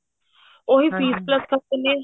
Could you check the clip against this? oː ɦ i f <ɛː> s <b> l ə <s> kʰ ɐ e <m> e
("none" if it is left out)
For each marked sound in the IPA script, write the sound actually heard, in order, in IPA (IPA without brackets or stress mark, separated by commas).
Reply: iː, p, s, n